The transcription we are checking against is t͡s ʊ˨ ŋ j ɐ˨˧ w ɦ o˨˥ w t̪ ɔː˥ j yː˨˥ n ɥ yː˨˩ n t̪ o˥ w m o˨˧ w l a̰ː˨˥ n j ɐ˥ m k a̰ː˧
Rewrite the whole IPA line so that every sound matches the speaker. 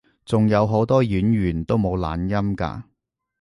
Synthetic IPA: t͡s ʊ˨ ŋ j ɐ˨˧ w ɦ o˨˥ w t̪ ɔː˥ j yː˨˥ n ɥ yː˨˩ n t̪ o˥ w m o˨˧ w l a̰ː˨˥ n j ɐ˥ m k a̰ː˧